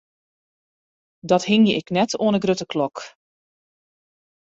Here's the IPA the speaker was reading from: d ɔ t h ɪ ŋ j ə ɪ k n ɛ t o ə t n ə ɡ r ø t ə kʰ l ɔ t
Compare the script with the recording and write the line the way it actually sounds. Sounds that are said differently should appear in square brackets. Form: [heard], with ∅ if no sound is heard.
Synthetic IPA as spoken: d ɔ t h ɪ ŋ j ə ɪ k n ɛ t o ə [∅] n ə ɡ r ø t ə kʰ l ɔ [k]